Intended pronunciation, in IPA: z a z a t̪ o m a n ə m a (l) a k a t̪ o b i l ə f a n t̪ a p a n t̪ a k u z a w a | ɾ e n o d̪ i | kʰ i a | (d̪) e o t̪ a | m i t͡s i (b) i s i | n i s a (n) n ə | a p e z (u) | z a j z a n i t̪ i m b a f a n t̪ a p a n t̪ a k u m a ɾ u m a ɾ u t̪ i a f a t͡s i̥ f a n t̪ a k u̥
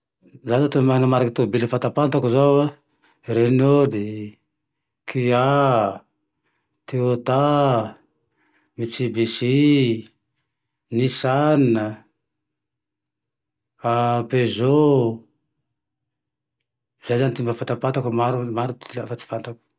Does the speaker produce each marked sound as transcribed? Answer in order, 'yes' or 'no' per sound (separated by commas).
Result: no, no, yes, yes, no